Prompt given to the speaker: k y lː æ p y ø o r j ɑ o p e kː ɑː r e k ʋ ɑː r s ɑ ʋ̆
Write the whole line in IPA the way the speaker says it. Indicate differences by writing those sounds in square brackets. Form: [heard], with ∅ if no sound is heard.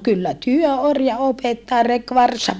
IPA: k y lː æ [t] y ø o r j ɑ o p e [tː] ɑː r e k ʋ [ɑ] r s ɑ ʋ̆